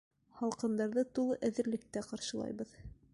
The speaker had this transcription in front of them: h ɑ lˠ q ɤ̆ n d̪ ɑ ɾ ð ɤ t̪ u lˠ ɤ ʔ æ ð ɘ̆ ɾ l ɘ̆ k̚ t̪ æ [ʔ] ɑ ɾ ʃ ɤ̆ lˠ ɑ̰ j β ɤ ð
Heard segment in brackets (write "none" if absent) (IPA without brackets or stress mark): q